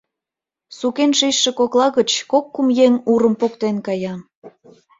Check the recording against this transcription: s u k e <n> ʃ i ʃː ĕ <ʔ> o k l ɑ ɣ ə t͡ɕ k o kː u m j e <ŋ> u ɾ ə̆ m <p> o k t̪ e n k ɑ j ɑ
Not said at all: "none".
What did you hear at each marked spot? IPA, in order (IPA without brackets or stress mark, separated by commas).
n, k, ŋ, p